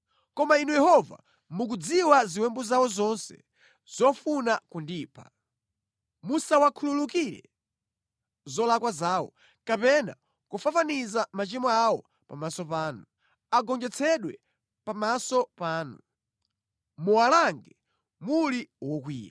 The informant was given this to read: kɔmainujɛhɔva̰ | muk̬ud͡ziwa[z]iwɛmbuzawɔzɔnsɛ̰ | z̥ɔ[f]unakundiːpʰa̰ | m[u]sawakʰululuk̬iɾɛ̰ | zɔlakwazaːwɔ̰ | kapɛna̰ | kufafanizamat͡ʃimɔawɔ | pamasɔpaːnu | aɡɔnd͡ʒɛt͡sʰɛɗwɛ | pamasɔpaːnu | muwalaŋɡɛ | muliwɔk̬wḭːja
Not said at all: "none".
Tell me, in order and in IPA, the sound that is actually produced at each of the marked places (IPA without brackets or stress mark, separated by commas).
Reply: z, f, u